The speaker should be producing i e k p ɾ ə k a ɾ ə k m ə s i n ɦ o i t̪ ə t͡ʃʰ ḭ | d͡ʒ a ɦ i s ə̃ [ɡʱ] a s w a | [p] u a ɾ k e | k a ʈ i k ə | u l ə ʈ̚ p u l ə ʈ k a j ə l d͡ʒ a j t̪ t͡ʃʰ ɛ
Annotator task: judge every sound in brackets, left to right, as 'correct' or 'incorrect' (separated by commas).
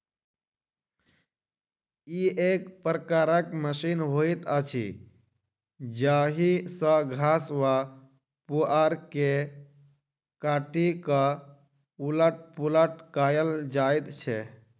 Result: correct, correct